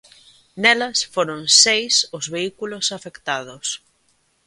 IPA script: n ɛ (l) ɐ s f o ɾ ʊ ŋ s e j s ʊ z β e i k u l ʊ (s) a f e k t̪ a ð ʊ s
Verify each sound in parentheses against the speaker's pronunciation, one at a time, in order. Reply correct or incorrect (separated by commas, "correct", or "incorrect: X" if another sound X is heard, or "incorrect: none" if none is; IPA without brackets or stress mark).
correct, correct